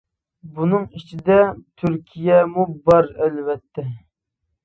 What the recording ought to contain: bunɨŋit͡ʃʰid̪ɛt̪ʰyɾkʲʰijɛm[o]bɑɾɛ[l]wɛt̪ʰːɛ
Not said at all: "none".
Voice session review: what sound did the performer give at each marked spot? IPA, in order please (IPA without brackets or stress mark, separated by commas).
u, l